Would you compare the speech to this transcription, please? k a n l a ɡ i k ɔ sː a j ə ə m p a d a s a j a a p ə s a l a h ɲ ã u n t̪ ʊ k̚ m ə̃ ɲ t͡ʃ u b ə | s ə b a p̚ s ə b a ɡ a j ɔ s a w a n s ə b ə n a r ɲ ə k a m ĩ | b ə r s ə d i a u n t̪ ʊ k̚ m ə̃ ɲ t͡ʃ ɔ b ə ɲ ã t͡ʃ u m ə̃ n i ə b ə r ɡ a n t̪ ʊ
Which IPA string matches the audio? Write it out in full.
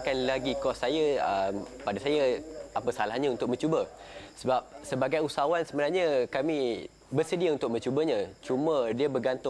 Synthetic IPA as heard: k a n l a ɡ i k ɔ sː a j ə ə m p a d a s a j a a p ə s a l a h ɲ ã u n t̪ ʊ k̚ m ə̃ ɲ t͡ʃ u b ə | s ə b a p̚ s ə b a ɡ a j u s a w a n s ə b ə n a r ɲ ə k a m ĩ | b ə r s ə d i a u n t̪ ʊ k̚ m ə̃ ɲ t͡ʃ u b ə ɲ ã t͡ʃ u m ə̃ d i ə b ə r ɡ a n t̪ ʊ